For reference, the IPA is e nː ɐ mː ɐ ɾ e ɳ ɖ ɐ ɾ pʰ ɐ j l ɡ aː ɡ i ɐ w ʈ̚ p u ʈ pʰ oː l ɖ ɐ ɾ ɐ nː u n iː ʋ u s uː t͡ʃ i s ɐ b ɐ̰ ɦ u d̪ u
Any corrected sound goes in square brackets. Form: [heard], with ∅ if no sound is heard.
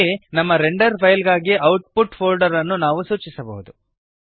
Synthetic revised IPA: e [n] ɐ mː ɐ ɾ e ɳ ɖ ɐ ɾ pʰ ɐ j l ɡ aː ɡ i ɐ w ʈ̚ p u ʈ pʰ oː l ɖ ɐ ɾ ɐ nː u n [aː] ʋ u s uː t͡ʃ i s ɐ b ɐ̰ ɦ u d̪ u